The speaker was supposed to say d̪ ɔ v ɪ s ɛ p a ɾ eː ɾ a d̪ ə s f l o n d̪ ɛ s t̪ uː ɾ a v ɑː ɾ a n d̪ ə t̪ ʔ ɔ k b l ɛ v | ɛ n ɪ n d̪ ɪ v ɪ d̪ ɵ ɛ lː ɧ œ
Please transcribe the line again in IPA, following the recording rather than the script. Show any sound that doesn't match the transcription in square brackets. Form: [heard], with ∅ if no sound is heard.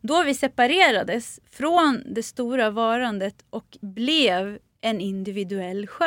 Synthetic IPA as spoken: d̪ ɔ v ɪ s ɛ p a ɾ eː ɾ a d̪ ə s f [ɾ] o n d̪ ɛ s t̪ uː ɾ a v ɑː ɾ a n d̪ ə t̪ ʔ ɔ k b l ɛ v | ɛ n ɪ n d̪ ɪ v ɪ d̪ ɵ ɛ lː ɧ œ